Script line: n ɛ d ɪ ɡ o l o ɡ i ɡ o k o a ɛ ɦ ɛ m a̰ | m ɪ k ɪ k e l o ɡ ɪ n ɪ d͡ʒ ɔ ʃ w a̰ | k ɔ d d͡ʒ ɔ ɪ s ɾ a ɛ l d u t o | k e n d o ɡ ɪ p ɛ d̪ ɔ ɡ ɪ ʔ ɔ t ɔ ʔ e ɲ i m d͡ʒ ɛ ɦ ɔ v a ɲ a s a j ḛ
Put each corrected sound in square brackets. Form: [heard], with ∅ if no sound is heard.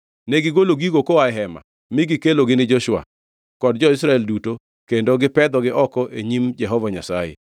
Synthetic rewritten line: n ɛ [ɡ] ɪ ɡ o l o ɡ i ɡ o k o a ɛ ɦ ɛ m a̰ | m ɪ [ɡ] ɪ k e l o ɡ ɪ n ɪ d͡ʒ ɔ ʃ w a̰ | k ɔ d d͡ʒ ɔ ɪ s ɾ a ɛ l d u t o | k e n d o ɡ ɪ p ɛ d̪ ɔ ɡ ɪ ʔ ɔ [k] ɔ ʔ e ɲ i m d͡ʒ ɛ ɦ ɔ v a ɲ a s a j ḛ